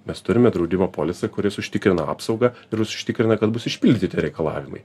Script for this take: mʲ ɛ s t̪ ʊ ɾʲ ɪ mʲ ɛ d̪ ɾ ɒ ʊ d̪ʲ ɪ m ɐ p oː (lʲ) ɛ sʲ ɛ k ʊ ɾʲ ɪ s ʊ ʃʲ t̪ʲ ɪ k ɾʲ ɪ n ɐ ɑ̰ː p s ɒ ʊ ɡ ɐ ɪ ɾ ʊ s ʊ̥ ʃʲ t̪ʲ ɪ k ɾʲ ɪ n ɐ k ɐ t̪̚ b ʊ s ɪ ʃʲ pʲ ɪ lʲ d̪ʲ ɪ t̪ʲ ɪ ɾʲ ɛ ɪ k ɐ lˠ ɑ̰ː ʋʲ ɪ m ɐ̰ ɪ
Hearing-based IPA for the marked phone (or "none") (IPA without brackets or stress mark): lʲ